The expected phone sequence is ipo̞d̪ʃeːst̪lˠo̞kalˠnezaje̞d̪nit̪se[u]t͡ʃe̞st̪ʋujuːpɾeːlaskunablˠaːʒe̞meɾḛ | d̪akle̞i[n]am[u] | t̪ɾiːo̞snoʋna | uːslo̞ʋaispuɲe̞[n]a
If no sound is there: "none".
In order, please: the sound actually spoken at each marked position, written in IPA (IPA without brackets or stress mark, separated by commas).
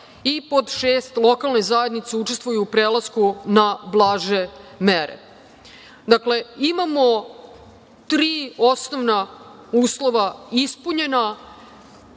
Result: u, m, o, n